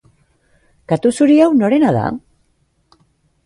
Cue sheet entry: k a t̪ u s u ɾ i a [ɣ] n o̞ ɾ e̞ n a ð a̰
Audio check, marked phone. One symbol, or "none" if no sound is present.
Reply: w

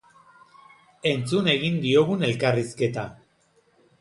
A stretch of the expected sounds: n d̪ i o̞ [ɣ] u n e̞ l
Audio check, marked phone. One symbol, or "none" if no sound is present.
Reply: ɣ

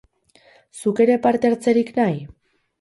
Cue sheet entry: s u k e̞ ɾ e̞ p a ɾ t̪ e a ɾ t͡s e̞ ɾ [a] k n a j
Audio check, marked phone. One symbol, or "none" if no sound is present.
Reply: i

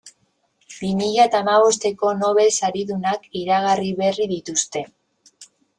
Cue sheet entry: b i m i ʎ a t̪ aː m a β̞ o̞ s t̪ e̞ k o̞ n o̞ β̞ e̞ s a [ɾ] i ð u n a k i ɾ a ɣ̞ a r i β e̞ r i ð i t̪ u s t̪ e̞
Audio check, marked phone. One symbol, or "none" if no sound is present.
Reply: ɾ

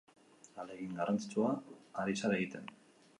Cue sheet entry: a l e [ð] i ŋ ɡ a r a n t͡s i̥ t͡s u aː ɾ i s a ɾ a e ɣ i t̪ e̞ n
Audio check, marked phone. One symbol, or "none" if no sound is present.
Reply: ɣ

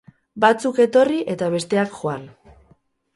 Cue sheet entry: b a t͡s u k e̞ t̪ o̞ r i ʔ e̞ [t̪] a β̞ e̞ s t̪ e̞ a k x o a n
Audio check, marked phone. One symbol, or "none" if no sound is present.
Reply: t̪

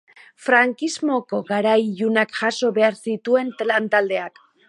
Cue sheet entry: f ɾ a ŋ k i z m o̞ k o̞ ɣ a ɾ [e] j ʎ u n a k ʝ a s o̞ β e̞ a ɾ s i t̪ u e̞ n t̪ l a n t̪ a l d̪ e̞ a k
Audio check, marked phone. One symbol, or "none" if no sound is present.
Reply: a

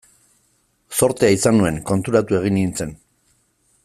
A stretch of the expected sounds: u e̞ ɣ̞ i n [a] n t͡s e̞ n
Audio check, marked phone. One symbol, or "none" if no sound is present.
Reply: i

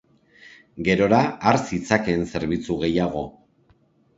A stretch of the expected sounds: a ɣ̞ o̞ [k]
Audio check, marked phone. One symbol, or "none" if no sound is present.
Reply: none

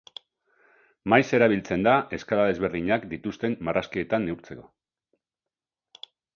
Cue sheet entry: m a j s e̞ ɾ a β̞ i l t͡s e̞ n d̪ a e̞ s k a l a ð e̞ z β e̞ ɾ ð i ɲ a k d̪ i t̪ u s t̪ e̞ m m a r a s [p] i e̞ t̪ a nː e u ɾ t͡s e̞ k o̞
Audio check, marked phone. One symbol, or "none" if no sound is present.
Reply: k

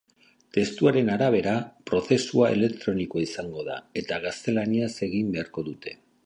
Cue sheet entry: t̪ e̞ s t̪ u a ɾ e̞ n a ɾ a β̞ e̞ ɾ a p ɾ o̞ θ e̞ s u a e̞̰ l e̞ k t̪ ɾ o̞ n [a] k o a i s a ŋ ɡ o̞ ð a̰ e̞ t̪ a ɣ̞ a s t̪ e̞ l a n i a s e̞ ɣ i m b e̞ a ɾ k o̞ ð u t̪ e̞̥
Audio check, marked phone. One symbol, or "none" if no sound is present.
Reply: i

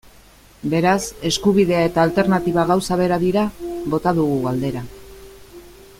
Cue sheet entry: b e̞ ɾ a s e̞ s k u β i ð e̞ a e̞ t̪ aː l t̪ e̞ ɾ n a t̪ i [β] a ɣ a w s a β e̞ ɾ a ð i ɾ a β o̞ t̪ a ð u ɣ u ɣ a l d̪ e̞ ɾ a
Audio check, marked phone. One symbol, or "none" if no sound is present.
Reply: β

